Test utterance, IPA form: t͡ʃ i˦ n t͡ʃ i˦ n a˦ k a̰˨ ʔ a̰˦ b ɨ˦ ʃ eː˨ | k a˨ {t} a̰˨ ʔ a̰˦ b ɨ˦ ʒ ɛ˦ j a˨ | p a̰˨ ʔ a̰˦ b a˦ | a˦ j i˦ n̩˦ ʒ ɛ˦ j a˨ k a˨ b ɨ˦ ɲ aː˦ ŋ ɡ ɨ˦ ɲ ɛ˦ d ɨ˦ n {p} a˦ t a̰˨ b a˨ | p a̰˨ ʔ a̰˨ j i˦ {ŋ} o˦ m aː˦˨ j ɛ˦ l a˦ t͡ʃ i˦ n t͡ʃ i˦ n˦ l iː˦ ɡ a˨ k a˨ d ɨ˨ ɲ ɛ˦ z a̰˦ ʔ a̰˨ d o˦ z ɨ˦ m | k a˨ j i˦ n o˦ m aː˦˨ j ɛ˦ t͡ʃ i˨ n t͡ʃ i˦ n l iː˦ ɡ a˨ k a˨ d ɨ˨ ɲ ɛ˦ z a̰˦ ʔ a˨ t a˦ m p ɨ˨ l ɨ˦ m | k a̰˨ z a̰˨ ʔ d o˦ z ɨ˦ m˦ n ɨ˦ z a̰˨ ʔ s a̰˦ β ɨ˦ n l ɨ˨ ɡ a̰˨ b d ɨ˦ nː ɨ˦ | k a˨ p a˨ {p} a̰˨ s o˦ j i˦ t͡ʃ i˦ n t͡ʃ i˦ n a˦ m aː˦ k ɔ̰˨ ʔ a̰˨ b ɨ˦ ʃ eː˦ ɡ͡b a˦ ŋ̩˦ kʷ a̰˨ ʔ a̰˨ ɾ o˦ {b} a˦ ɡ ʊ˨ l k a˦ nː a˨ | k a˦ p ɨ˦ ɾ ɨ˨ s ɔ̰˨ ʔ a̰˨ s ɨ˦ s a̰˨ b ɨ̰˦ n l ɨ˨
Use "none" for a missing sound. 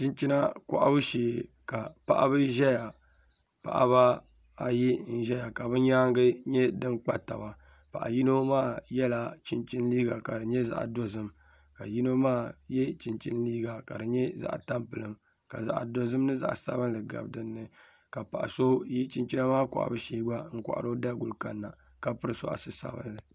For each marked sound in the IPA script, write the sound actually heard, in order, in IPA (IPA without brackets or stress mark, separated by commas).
p, k͡p, n, ʔ, d